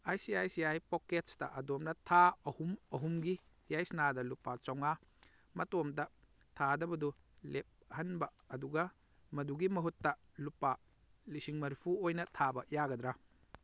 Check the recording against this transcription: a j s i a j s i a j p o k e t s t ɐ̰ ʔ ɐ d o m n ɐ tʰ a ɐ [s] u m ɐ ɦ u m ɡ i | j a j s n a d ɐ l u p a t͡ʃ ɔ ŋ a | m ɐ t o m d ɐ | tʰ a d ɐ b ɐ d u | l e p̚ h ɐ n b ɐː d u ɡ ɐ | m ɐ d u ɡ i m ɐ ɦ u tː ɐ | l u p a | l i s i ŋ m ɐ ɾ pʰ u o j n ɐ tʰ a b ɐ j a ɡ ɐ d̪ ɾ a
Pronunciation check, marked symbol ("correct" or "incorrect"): incorrect